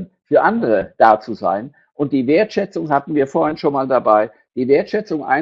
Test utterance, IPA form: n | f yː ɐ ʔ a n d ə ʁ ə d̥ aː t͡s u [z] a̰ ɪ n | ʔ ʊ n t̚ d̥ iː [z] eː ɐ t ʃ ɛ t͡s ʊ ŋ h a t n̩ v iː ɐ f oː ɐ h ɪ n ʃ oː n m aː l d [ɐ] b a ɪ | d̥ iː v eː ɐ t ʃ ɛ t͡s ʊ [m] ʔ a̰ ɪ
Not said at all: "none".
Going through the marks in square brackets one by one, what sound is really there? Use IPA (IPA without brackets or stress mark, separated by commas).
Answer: z, v, a, ŋ